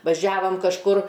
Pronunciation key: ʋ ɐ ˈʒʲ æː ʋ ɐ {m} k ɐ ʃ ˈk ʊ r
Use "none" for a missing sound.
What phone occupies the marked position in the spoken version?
m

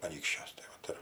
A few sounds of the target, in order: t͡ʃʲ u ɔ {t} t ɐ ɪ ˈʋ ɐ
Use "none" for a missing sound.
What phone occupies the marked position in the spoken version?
s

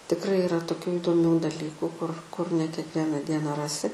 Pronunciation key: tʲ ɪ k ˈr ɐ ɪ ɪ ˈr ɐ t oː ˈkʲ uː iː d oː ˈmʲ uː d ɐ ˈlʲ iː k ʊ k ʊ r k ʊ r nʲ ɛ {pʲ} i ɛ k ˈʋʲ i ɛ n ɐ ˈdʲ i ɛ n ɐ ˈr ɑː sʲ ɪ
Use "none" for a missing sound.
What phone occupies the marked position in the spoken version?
kʲ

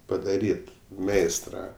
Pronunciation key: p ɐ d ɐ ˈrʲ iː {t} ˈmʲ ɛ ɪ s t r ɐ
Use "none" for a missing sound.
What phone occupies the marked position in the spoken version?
t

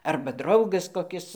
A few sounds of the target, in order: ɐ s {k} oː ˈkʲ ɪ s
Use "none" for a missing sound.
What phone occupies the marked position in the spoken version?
k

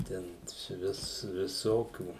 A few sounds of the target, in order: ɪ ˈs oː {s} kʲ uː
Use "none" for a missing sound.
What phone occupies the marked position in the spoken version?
none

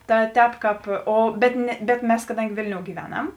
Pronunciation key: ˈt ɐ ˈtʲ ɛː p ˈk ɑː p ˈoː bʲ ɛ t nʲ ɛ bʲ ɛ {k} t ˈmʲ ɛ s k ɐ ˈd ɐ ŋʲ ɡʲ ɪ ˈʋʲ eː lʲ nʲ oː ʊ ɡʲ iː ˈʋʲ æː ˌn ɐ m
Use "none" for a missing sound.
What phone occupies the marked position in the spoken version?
none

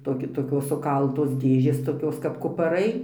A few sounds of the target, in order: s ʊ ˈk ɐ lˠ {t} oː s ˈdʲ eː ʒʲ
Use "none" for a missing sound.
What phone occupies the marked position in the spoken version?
t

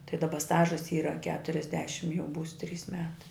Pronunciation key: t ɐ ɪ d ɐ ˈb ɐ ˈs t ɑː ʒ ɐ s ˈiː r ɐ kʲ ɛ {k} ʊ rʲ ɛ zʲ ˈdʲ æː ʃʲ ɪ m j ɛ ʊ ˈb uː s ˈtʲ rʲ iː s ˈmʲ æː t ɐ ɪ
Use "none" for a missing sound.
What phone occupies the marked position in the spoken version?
t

